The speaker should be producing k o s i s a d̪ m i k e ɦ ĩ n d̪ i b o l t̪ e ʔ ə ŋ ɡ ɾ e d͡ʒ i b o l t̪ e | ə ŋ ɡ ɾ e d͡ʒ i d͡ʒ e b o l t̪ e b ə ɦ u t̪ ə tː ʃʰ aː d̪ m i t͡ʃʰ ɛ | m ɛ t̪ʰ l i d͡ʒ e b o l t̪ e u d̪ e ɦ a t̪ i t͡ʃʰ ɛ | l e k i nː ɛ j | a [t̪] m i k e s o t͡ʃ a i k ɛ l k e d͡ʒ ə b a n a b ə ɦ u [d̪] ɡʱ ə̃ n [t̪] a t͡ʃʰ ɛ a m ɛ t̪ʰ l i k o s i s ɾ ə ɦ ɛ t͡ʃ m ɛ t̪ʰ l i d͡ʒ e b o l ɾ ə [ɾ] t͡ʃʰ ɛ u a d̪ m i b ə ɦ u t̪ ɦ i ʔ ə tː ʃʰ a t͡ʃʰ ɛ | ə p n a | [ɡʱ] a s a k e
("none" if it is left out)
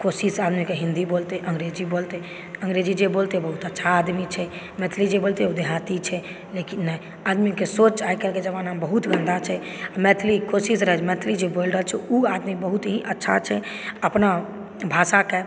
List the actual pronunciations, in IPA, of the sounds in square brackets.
d̪, t̪, d̪, l, bʱ

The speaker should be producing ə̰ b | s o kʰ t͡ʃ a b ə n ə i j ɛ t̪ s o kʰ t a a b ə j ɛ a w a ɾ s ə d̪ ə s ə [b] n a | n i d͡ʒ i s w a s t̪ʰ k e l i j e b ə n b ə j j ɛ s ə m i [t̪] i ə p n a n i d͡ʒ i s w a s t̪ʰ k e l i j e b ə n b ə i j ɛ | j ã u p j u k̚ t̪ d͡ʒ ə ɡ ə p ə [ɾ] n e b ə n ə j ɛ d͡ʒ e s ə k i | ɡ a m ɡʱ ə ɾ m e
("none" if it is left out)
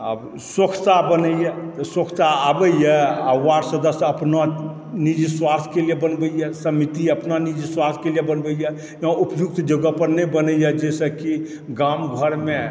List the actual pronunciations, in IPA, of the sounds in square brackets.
p, t̪, ɾ

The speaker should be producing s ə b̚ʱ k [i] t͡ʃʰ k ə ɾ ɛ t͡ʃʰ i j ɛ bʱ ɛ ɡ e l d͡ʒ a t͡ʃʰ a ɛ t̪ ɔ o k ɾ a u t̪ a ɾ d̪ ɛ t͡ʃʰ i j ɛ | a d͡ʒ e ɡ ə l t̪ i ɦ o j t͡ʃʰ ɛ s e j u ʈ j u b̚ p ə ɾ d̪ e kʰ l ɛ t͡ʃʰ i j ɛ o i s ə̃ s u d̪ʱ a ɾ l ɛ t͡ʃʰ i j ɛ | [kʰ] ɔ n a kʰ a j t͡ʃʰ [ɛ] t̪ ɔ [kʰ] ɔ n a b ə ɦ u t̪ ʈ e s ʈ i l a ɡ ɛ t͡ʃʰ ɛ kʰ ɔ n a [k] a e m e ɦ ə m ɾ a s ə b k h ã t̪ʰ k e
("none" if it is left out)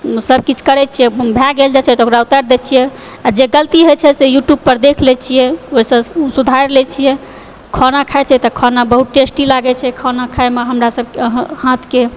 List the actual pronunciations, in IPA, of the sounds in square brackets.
i, kʰ, ɛ, kʰ, kʰ

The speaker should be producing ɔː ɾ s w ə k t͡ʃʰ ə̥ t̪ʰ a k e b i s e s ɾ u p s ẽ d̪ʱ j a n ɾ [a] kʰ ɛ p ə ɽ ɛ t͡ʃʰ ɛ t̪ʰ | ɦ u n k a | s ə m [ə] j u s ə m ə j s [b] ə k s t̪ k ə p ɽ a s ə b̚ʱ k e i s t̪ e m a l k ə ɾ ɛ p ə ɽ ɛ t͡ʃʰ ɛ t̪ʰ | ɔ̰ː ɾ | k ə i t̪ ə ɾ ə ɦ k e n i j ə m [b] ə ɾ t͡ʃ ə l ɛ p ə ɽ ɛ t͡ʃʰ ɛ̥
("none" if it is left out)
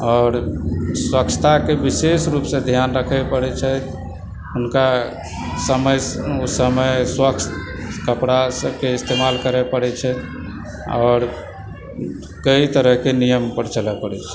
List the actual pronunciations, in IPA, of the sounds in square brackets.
ə, ə, w, p

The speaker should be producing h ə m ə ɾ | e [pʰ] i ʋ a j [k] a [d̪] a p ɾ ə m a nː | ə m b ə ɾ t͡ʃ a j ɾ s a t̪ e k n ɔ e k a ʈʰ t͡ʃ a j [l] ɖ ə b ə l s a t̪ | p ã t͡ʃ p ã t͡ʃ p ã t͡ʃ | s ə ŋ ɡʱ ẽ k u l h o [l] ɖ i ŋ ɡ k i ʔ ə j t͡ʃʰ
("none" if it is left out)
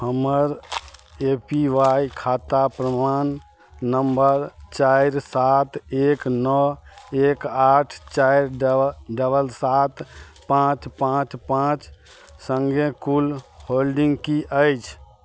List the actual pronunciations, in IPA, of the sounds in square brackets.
p, kʰ, t̪, ɾ, l

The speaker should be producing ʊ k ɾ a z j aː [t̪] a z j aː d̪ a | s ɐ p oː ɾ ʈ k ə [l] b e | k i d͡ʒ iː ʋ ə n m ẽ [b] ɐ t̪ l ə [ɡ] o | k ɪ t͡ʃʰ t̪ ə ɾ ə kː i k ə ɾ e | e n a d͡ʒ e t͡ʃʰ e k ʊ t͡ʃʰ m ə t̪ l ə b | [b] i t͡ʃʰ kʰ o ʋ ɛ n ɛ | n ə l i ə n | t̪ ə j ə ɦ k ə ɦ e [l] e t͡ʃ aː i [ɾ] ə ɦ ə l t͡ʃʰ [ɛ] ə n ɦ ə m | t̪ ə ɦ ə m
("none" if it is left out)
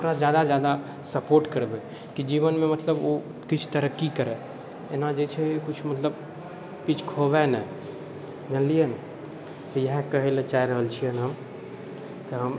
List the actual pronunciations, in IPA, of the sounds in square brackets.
d̪, ɾ, m, b, p, l, ɾ, i

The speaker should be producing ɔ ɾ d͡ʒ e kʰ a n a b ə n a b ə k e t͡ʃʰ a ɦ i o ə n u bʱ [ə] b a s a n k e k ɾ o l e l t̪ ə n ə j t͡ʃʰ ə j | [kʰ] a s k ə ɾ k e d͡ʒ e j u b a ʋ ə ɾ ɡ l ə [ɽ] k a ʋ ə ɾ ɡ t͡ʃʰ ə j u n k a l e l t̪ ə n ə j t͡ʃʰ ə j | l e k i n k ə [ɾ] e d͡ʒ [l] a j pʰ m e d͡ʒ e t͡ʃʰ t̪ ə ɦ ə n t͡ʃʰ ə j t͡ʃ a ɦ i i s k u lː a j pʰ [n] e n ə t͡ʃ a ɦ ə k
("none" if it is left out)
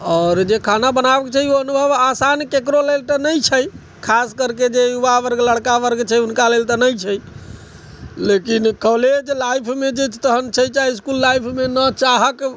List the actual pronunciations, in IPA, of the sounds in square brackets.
ə, kʰ, ɽ, l, l, m

